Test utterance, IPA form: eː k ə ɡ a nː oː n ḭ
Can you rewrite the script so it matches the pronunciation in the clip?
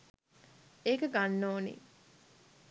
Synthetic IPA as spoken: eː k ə ɡ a nː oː n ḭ